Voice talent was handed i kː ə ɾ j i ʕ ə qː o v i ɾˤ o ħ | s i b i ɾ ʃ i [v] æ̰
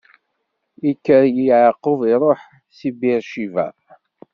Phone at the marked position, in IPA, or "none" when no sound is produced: v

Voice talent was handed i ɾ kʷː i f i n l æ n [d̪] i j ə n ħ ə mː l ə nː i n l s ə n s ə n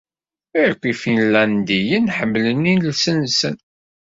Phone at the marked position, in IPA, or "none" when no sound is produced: d̪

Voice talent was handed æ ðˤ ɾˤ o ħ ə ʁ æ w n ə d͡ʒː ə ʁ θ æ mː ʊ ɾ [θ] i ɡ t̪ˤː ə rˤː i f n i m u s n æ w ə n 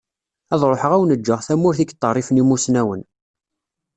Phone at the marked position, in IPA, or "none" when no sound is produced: θ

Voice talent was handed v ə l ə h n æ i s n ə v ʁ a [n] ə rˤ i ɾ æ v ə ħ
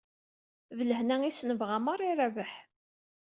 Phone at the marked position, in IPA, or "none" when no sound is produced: m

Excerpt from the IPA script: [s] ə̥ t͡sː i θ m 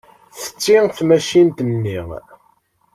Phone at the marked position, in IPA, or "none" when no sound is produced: θ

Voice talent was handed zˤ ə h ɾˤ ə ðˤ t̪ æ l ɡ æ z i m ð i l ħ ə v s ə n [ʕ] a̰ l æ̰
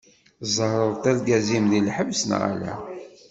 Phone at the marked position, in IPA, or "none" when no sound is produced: ʁ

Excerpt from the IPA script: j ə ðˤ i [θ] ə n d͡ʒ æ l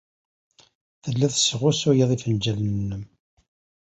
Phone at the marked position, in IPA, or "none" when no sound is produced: f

